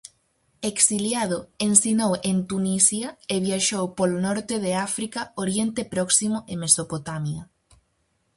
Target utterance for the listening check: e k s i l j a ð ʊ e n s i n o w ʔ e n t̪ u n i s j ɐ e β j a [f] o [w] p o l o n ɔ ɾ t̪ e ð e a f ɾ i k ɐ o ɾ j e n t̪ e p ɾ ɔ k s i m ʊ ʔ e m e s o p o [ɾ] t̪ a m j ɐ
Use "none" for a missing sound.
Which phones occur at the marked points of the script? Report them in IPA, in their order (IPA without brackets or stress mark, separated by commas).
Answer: ʃ, w, none